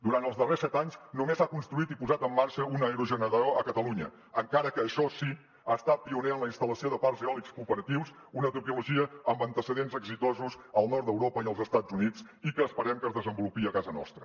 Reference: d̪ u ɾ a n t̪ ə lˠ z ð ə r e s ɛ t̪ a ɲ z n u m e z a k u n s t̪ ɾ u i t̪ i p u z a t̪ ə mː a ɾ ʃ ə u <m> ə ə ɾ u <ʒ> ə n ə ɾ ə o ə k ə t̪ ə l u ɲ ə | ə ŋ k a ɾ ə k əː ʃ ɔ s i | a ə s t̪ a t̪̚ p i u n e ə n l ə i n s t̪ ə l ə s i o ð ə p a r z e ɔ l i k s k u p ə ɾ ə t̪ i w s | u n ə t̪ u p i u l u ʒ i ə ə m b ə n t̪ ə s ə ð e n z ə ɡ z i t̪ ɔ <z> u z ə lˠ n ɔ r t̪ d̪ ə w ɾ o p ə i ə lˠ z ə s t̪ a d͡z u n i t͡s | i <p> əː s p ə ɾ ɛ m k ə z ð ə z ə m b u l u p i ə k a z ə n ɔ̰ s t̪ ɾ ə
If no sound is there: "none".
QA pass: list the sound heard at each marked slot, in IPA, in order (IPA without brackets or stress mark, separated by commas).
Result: n, ʒ, z, k